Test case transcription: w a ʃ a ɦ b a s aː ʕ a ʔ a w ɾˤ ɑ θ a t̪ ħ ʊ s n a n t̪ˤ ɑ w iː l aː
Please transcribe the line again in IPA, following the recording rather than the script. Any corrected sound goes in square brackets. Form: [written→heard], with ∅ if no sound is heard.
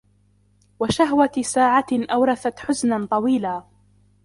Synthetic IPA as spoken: w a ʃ a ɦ [b→w] a s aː ʕ a ʔ a w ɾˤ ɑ θ a t̪ ħ ʊ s n a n t̪ˤ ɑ w iː l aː